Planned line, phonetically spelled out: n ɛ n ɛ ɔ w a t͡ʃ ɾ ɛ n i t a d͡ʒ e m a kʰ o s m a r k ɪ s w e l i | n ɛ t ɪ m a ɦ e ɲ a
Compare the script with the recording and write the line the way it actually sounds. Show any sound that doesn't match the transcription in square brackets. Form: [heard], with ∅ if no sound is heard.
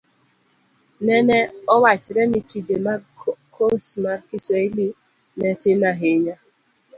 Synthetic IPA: n ɛ n ɛ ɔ w a t͡ʃ ɾ ɛ n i t [i] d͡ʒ e m a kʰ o s m a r k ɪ s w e l i | n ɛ t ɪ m a ɦ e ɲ a